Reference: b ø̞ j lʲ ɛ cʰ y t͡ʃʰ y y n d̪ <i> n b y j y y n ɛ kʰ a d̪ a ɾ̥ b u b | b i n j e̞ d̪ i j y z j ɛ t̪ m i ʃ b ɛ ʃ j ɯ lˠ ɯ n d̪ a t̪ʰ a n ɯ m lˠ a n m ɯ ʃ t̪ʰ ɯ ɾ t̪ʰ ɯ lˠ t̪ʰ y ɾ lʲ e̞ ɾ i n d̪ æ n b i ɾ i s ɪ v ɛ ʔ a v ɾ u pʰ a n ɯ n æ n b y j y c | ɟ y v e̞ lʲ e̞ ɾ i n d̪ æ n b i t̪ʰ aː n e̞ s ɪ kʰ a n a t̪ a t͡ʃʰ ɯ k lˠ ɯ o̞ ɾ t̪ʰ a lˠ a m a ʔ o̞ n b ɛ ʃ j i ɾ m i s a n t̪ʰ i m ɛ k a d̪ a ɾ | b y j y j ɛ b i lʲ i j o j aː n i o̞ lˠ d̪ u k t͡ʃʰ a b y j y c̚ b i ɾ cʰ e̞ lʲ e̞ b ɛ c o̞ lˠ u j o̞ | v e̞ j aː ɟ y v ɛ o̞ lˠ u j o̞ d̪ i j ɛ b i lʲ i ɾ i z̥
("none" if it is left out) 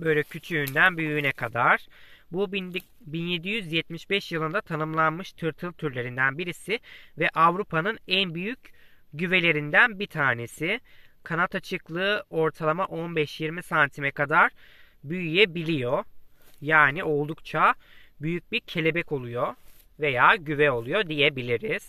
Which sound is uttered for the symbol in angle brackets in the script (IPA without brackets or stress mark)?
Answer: æ